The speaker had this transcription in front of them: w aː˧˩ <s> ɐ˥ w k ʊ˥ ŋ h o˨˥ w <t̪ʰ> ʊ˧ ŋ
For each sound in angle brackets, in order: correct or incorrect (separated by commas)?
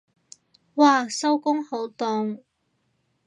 correct, incorrect